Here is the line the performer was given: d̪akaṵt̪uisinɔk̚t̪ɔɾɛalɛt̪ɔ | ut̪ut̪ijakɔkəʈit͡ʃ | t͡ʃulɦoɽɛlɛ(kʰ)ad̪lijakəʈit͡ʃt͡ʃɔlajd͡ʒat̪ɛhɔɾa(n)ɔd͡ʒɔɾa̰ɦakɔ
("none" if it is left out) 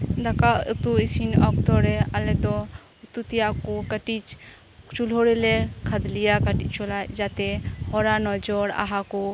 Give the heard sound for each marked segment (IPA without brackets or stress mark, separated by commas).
kʰ, n